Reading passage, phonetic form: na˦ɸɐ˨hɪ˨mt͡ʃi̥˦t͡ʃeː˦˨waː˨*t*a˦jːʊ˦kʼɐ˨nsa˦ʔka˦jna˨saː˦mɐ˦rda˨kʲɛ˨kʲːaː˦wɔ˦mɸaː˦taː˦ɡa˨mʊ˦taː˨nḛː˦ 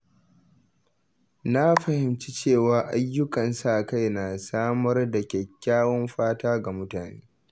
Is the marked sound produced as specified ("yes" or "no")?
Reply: no